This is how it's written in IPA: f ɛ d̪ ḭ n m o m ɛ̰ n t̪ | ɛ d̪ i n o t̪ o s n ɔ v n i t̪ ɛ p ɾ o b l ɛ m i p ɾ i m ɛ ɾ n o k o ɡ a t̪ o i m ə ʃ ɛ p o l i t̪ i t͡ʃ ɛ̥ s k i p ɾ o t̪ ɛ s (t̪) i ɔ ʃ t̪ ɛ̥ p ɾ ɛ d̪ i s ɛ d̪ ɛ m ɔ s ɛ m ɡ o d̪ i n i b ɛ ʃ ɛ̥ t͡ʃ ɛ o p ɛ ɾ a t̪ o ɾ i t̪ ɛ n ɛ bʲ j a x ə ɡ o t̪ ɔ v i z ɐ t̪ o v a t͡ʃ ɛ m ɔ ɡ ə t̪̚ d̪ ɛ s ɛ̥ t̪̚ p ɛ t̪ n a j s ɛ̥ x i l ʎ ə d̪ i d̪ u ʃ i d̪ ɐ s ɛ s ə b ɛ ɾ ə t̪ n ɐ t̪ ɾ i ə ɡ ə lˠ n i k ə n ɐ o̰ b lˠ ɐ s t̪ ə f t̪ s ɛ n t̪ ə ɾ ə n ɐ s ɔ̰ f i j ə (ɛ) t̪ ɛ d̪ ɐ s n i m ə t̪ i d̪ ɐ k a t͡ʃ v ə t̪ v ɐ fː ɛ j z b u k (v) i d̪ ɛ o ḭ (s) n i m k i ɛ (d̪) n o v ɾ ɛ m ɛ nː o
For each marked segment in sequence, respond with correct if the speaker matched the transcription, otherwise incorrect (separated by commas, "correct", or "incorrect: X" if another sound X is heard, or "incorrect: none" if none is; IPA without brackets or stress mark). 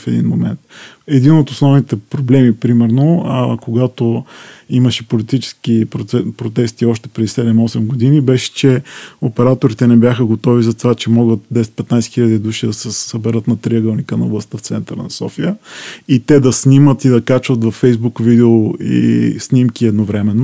correct, incorrect: i, correct, correct, correct